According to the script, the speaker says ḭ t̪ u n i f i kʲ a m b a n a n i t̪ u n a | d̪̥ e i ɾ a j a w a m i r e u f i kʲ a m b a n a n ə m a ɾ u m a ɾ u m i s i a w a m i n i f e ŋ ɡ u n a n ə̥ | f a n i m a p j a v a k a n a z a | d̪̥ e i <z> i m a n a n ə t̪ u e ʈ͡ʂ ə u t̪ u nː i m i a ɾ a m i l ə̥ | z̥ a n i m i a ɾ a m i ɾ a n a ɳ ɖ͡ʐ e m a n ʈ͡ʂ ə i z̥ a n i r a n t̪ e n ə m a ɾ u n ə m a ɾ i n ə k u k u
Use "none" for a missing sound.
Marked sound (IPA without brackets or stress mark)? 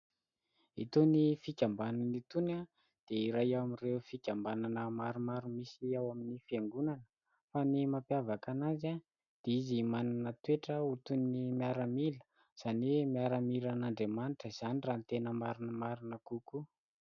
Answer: z